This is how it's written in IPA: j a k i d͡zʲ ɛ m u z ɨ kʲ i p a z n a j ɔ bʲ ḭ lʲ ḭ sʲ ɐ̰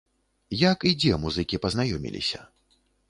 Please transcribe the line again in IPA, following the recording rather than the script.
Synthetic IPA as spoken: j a k i d͡zʲ ɛ m u z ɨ kʲ i p ɐ z n a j ɔ mʲ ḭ lʲ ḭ sʲ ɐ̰